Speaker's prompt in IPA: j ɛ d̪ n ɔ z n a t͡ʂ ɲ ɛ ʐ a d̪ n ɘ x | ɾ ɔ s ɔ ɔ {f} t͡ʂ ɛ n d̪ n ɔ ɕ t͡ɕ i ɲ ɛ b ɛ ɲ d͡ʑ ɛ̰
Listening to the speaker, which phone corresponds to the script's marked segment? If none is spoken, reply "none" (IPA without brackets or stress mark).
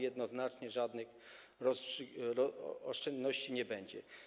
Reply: ʂ